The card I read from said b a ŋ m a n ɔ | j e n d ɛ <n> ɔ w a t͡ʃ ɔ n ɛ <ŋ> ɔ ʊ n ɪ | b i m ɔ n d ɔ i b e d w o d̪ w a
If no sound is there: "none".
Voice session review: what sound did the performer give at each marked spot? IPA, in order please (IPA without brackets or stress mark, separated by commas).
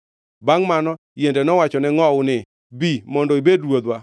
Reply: n, ŋ